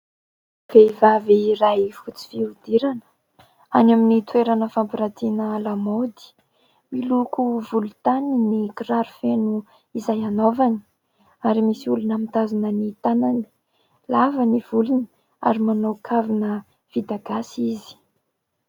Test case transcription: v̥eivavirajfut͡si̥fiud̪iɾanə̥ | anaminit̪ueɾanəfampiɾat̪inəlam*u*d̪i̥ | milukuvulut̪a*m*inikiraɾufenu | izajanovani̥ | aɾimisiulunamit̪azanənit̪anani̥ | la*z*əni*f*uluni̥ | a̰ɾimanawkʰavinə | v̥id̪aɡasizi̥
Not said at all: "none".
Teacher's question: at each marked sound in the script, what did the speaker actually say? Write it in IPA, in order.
o, n, v, v

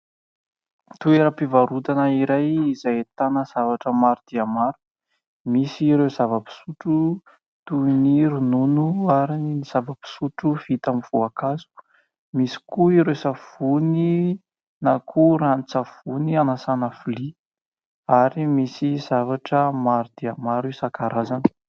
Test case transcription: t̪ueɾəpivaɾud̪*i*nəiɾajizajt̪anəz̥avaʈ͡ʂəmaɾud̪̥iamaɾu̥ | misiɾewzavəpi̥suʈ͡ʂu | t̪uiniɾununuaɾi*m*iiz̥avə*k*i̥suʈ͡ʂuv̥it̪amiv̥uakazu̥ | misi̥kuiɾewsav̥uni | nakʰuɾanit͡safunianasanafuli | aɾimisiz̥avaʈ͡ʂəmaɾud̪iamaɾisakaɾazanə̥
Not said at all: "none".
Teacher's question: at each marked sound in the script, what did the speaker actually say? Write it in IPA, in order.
a, n, p

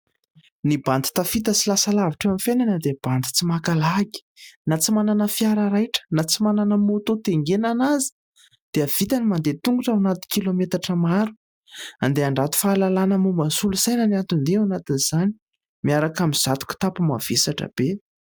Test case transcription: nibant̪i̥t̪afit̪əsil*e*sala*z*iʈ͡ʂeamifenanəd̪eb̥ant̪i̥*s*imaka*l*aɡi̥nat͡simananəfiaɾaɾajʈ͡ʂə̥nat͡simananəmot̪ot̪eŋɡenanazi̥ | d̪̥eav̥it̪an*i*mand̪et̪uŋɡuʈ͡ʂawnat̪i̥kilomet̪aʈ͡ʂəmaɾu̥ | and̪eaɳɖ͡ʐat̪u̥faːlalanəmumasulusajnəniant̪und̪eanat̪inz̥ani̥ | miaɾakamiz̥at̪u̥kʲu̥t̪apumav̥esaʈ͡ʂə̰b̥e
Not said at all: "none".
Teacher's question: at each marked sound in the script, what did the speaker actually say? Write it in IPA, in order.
a, v, t͡s, l, i

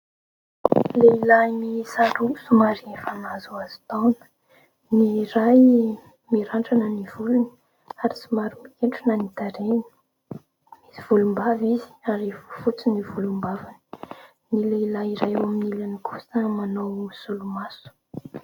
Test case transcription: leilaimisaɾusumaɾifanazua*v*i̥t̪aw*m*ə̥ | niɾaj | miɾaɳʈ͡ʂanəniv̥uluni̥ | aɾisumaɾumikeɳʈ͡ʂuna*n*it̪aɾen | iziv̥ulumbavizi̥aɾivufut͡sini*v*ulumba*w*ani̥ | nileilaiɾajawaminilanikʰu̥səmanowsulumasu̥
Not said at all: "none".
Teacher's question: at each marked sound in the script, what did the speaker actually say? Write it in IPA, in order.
z, n, n, v, v

